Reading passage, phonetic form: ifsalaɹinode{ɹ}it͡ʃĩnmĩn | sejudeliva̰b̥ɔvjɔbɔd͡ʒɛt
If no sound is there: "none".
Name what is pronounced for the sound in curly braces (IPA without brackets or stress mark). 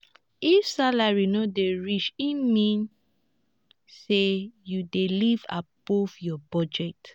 ɹ